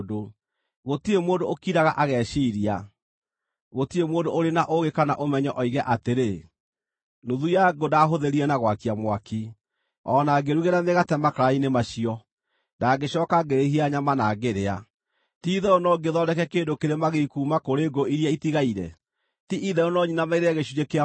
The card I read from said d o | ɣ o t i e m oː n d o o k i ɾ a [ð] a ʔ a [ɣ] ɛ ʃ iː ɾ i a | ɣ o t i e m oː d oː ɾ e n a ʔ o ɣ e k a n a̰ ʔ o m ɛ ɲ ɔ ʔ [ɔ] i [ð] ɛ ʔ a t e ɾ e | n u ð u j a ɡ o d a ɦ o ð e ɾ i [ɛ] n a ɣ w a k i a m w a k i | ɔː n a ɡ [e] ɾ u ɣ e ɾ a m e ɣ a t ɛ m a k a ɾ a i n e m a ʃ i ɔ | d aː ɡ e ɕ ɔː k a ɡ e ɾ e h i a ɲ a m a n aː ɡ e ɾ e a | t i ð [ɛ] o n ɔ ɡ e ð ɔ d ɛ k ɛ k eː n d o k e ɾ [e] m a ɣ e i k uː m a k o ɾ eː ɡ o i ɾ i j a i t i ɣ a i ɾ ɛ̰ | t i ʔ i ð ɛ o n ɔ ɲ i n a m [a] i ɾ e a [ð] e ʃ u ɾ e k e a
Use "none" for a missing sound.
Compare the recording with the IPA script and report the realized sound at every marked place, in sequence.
ɣ, ɣ, ɔ, ɣ, ɛ, e, ɛ, e, a, ɣ

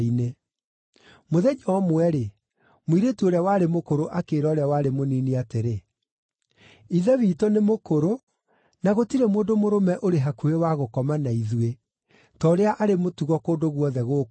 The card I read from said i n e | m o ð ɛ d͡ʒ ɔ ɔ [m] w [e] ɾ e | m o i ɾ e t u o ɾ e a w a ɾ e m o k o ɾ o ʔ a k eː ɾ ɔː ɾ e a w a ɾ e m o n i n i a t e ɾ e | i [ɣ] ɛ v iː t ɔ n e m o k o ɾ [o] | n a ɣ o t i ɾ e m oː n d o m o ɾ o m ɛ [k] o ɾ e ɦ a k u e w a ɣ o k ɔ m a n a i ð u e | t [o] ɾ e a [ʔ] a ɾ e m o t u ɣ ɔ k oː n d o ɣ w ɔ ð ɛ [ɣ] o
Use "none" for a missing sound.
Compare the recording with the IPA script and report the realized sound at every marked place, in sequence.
m, ɛ, ð, o, ʔ, ɔ, ʔ, ɣ

